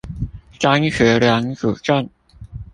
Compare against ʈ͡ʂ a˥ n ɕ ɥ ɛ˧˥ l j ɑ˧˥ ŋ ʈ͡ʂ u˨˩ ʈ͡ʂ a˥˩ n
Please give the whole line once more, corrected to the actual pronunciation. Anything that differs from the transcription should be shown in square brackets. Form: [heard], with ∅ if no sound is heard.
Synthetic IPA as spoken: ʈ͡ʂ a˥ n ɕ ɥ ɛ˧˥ l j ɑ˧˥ ŋ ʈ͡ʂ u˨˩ ʈ͡ʂ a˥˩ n